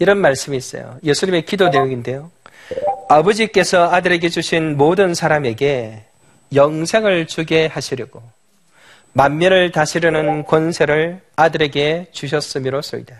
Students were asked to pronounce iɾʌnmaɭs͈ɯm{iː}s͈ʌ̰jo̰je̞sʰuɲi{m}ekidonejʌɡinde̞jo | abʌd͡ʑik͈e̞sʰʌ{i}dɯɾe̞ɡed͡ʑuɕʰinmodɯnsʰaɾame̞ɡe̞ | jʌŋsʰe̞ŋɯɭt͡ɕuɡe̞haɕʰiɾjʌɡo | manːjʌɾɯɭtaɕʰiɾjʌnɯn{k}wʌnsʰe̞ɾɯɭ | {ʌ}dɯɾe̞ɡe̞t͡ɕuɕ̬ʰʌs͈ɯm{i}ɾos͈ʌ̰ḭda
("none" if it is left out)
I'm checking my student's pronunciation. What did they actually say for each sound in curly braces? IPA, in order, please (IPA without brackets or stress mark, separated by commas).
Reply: iː, m, a, k, a, i